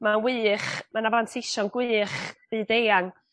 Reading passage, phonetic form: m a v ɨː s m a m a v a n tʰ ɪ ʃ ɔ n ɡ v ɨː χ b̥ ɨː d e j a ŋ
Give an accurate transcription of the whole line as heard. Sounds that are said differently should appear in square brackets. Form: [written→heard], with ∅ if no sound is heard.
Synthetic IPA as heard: m a [v→w] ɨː [s→χ] m a [m→n] a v a n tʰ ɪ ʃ ɔ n ɡ [v→w] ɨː χ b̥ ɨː d e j a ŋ